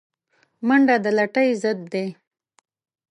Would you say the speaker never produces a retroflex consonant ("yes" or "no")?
no